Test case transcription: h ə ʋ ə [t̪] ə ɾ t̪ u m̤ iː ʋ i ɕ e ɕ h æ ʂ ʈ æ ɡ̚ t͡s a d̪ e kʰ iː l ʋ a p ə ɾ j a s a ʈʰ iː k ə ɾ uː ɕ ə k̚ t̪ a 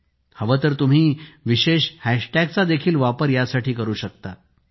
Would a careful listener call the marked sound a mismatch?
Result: no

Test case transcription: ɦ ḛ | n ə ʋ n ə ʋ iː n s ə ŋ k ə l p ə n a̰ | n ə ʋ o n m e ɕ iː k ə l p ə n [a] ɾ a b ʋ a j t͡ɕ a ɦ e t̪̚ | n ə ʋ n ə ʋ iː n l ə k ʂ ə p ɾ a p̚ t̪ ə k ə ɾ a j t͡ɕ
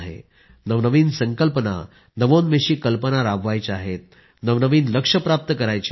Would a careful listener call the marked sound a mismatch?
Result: no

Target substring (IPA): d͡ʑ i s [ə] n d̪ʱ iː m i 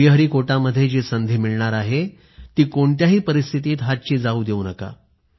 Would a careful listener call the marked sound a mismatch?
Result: no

